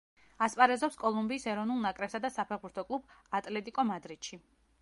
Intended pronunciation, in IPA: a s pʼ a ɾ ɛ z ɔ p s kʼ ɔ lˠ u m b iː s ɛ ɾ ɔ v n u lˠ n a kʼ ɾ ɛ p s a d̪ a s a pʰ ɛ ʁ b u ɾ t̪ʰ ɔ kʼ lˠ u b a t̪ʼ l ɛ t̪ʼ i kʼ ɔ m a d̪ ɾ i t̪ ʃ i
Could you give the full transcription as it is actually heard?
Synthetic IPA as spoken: a s pʼ a ɾ ɛ z ɔ p s kʼ ɔ lˠ u m b iː s ɛ ɾ ɔ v n u lˠ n a kʼ ɾ ɛ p s a d̪ a s a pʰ ɛ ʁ b u ɾ t̪ʰ ɔ kʼ lˠ u b a t̪ʼ l ɛ t̪ʼ i kʼ ɔ m a d̪ ɾ i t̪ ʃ i